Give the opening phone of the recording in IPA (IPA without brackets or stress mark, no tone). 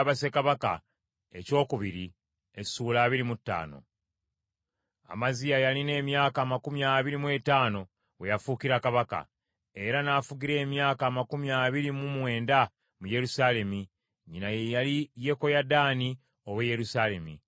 β